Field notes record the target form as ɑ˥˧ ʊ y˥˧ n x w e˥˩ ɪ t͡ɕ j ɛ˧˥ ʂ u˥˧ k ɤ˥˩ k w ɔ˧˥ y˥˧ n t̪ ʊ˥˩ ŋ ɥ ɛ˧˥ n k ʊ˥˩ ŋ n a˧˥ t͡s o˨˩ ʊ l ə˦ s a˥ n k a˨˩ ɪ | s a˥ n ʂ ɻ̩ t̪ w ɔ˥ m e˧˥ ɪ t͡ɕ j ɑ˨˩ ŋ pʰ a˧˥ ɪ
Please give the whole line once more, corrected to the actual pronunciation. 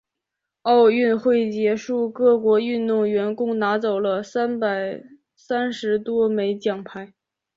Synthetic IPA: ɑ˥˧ ʊ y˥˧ n x w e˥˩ ɪ t͡ɕ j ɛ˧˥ ʂ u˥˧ k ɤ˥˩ k w ɔ˧˥ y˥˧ n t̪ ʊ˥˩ ŋ ɥ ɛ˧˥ n k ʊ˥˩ ŋ n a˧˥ t͡s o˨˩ ʊ l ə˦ s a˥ n p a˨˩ ɪ | s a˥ n ʂ ɻ̩ t̪ w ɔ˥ m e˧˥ ɪ t͡ɕ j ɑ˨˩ ŋ pʰ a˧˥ ɪ